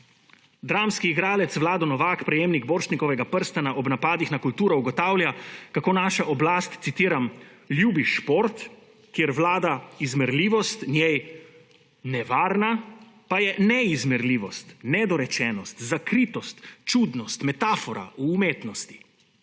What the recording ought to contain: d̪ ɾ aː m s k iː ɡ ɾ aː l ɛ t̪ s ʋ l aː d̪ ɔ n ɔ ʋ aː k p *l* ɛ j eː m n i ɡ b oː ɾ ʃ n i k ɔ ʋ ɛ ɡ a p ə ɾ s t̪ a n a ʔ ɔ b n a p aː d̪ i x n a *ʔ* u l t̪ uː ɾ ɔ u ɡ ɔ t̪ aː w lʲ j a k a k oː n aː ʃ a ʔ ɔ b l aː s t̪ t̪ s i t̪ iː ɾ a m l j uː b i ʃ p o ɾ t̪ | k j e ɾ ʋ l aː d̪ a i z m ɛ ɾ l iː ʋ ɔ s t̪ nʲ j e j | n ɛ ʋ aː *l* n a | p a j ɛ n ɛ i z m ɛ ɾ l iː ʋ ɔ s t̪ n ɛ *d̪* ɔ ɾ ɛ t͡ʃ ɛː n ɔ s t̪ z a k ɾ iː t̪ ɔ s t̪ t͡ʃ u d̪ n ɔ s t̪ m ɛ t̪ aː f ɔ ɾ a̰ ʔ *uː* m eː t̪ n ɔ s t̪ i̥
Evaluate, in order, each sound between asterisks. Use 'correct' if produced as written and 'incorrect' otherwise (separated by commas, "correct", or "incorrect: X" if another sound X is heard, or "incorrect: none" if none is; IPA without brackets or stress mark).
incorrect: ɾ, incorrect: k, incorrect: ɾ, correct, correct